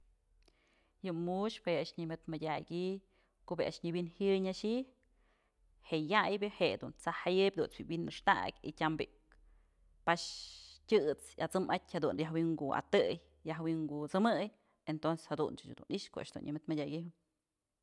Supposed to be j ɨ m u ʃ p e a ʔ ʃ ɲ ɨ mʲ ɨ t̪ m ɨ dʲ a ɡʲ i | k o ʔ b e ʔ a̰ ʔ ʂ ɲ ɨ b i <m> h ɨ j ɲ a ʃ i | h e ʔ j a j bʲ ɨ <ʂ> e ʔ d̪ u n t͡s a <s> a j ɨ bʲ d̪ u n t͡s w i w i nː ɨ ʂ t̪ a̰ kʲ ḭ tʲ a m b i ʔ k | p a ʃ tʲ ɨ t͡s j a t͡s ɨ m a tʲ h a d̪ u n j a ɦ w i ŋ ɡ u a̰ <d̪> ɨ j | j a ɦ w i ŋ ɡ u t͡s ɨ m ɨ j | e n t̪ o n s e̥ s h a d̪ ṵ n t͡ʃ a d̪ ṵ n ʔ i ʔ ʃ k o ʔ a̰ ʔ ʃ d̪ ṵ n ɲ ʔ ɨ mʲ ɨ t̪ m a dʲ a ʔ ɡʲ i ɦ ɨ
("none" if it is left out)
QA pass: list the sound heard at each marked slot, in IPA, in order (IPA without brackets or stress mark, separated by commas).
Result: n, h, h, t̪